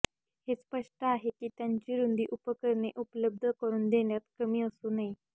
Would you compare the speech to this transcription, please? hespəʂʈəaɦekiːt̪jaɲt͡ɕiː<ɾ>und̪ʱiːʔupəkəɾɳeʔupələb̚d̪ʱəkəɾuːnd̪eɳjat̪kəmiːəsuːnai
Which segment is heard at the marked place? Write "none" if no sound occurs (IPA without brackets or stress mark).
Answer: ɾ